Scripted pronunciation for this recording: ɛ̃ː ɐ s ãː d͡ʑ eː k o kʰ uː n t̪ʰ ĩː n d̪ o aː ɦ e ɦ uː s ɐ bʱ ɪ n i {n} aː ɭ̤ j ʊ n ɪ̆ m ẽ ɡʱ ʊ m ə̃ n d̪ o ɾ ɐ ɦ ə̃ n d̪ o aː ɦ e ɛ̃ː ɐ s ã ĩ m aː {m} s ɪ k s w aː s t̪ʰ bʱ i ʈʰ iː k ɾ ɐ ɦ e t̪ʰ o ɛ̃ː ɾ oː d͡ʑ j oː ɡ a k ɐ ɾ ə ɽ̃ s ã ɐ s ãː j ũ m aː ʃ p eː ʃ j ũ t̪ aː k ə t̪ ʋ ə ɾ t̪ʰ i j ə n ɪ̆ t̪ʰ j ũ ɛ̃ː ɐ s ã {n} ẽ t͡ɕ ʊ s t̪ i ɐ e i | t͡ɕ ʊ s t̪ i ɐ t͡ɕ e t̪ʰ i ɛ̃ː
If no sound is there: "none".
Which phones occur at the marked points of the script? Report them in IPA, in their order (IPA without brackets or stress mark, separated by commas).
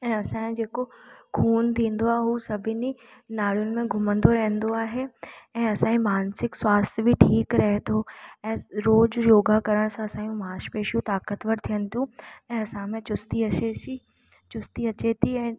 n, n, m